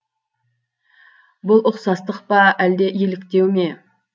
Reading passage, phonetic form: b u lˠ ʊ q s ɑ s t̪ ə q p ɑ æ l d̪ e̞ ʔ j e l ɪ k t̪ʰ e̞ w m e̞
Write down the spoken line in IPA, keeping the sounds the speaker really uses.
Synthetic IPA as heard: b ʊ lˠ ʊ q s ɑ s t̪ ə q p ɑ æ l d̪ e̞ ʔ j e l ɪ k t̪ e̞ w m e̞